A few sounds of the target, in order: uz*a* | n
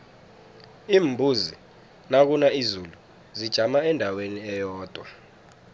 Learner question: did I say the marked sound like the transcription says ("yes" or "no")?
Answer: no